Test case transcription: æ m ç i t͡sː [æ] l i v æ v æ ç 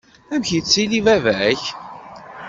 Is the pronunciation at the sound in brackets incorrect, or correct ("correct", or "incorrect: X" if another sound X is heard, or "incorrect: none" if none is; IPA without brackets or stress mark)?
incorrect: i